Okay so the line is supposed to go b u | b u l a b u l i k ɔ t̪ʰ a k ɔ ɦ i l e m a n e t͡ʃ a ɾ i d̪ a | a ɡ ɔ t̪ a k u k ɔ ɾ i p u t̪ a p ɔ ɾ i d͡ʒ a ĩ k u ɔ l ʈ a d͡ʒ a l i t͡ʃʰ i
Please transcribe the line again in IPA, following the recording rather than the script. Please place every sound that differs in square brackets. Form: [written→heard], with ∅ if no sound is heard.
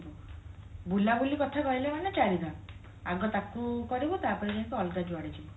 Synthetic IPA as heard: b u | b u l a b u l i k ɔ t̪ʰ a k ɔ ɦ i l e m a n e t͡ʃ a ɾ i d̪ a | a ɡ ɔ t̪ a k u k ɔ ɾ i [p→b] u t̪ a p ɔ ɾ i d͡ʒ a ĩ k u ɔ l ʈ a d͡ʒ a [l→ɽ] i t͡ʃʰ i